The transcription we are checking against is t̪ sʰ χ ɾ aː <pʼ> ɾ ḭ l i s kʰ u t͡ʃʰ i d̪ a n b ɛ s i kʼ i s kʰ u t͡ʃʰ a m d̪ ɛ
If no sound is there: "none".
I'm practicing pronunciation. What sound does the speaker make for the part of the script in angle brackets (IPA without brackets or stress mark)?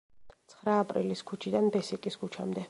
pʼ